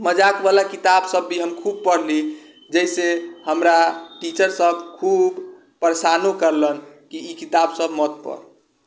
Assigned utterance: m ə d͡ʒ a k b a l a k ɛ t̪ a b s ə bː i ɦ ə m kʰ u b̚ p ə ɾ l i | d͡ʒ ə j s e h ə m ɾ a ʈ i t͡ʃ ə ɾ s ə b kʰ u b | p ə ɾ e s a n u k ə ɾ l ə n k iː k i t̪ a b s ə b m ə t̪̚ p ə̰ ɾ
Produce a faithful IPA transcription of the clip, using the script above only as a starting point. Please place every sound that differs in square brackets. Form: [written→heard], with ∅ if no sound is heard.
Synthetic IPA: m ə d͡ʒ a k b a l a k [ɛ→i] t̪ a b s ə bː i ɦ ə m kʰ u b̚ p ə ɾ l i | d͡ʒ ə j s e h ə m ɾ a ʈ i t͡ʃ ə ɾ s ə b kʰ u b | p ə ɾ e s a n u k ə ɾ l ə n k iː k i t̪ a b s ə b m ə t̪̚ p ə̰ ɾ